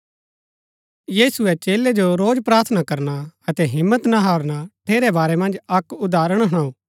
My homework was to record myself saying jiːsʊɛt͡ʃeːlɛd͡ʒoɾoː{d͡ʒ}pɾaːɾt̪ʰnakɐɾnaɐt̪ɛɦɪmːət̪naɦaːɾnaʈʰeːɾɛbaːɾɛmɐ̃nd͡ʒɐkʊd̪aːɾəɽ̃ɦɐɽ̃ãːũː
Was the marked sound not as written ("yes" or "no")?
no